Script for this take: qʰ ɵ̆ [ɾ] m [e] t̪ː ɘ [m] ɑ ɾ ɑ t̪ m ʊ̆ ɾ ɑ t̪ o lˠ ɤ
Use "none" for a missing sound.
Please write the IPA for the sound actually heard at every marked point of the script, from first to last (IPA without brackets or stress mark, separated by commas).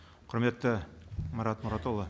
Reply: ɾ, e, m